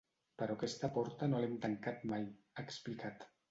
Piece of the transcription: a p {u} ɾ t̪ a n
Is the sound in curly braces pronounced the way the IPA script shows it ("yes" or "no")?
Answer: no